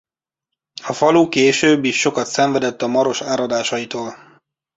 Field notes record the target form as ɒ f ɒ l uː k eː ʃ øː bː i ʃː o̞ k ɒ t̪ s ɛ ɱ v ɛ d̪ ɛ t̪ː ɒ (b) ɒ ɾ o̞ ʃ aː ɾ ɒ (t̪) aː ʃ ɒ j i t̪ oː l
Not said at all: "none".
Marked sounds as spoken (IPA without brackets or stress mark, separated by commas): m, d̪